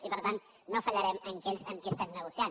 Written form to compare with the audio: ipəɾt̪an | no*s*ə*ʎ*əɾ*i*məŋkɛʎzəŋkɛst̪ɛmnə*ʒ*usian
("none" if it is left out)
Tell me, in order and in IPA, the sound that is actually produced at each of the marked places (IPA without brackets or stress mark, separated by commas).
f, ʎ, ɛ, ɣ